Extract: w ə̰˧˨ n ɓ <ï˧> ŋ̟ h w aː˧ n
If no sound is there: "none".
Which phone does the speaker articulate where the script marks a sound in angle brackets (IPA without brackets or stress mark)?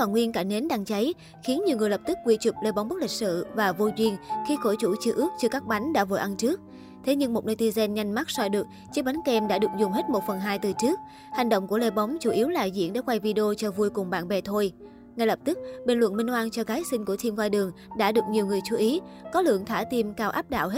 ï˧